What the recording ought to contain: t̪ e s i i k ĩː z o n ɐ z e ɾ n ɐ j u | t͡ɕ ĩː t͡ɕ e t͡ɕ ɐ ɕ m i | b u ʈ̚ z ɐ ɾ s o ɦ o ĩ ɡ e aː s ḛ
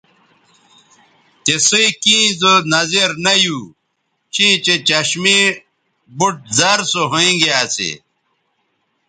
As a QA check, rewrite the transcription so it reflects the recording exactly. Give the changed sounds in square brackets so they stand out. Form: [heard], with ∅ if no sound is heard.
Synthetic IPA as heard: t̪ e s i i k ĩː z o n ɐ z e ɾ n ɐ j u | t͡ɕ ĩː t͡ɕ e t͡ɕ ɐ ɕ m i | b u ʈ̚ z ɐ ɾ s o ɦ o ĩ ɡ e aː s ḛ